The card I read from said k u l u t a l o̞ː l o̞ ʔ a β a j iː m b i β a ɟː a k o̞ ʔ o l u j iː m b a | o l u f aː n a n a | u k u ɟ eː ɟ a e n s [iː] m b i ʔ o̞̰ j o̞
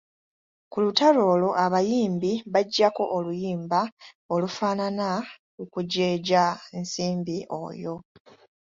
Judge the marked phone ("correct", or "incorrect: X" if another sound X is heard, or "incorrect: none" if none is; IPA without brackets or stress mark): correct